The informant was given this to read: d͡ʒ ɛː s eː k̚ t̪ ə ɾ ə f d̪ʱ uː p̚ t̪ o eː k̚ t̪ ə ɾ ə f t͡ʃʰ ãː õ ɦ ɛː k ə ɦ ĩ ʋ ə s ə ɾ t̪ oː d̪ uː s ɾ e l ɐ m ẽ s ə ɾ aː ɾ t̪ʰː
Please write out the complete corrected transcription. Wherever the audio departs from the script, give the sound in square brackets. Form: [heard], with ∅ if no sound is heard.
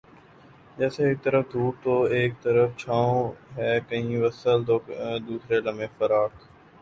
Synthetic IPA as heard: d͡ʒ ɛː s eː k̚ t̪ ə ɾ ə f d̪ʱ uː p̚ t̪ o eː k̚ t̪ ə ɾ ə f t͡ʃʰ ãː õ ɦ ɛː k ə ɦ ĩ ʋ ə s ə [l] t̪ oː d̪ uː s ɾ e l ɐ m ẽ [f] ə ɾ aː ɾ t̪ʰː

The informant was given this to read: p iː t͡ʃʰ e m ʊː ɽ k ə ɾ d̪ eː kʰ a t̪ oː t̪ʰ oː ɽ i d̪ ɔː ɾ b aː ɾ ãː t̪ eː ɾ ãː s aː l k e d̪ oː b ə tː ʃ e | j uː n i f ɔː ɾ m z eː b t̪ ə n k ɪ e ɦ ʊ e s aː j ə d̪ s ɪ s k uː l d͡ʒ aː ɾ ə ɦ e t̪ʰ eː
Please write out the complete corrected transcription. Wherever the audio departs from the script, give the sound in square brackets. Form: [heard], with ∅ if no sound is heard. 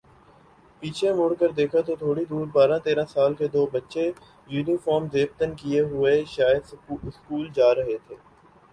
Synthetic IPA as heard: p iː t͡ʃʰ e m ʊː ɽ k ə ɾ d̪ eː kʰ a t̪ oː t̪ʰ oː ɽ i d̪ [uː] ɾ b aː ɾ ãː t̪ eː ɾ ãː s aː l k e d̪ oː b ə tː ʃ e | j uː n i f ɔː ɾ m z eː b t̪ ə n k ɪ e ɦ ʊ e [ʃ] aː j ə d̪ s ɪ s k uː l d͡ʒ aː ɾ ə ɦ e t̪ʰ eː

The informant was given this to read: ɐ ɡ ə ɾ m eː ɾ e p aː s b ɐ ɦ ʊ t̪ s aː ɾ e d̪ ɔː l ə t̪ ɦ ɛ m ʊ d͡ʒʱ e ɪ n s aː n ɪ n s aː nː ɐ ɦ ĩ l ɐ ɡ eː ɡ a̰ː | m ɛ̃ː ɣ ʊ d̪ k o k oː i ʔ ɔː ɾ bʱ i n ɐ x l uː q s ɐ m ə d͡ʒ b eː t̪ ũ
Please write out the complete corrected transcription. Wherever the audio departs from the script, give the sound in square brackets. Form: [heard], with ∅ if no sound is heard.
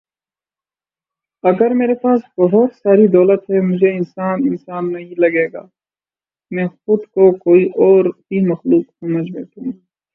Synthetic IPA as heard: ɐ ɡ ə ɾ m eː ɾ e p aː s b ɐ ɦ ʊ t̪ s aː ɾ [i] d̪ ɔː l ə t̪ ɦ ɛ m ʊ d͡ʒʱ e ɪ n s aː n ɪ n s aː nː ɐ ɦ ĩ l ɐ ɡ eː ɡ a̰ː | m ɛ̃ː [x] ʊ d̪ k o k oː i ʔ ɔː ɾ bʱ i [m] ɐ x l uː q s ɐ m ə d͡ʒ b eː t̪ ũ

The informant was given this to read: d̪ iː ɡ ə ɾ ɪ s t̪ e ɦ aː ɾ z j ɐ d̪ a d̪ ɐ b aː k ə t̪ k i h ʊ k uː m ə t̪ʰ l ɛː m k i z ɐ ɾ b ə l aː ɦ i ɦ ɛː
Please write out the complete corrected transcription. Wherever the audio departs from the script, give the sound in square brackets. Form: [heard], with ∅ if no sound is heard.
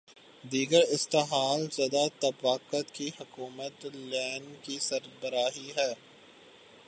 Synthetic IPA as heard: d̪ iː ɡ ə ɾ ɪ s t̪ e ɦ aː [l] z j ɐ d̪ a [t̪] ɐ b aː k ə t̪ k i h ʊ k uː m ə [t̪] l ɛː [n] k i [s] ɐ ɾ b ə [ɾ] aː ɦ i ɦ ɛː

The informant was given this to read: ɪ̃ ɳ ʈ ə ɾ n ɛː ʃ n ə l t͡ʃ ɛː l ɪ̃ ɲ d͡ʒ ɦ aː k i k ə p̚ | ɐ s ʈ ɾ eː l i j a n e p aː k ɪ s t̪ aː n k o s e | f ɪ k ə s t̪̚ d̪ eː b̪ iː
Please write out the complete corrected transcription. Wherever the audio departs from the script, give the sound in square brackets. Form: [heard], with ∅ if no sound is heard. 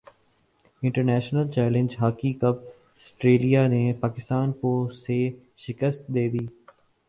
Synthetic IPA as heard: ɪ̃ ɳ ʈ ə ɾ n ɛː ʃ n ə l t͡ʃ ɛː l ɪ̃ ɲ d͡ʒ ɦ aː k i k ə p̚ | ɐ s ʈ ɾ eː l i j a n e p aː k ɪ s t̪ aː n k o s e | [ʃ] ɪ k ə s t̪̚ d̪ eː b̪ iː

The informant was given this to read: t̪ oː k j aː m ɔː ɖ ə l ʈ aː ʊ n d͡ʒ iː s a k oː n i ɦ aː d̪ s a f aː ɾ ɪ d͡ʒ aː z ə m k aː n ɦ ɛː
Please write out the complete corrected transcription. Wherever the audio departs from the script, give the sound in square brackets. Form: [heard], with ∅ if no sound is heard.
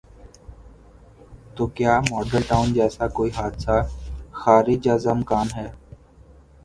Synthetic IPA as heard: t̪ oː k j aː m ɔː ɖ ə l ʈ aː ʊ n d͡ʒ [ɛː] s a k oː [∅] i ɦ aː d̪ s a [x] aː ɾ ɪ d͡ʒ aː z ə m k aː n ɦ ɛː

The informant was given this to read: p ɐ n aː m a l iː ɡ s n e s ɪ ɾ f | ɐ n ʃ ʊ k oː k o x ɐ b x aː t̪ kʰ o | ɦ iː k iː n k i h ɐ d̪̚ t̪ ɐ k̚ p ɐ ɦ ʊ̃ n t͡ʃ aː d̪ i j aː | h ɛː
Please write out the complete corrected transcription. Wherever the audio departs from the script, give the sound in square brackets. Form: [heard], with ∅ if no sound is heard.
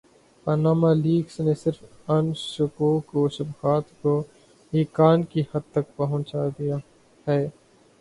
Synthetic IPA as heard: p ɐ n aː m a l iː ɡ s n e s ɪ ɾ f | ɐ n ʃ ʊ k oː k o [ʃ] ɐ b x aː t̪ [k] o | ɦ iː k [aː] n k i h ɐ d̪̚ t̪ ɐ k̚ p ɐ ɦ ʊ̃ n t͡ʃ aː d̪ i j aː | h ɛː

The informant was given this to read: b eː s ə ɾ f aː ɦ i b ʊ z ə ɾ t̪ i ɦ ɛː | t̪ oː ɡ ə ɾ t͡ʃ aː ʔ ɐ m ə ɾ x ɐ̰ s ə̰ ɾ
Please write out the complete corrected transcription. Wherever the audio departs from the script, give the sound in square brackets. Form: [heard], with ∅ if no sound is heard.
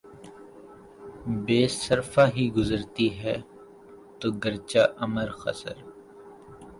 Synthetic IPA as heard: b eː s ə ɾ f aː ɦ i [ɡ] ʊ z ə ɾ t̪ i ɦ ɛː | t̪ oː ɡ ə ɾ t͡ʃ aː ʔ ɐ m ə ɾ x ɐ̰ s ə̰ ɾ

